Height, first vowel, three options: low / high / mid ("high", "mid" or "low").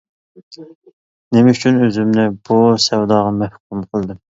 mid